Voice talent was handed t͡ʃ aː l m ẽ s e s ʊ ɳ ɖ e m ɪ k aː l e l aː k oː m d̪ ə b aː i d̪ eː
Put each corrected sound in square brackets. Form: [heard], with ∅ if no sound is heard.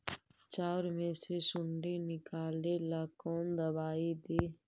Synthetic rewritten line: t͡ʃ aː [ɾ] m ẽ s e s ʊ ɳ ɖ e [n] ɪ k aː l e l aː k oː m d̪ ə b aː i d̪ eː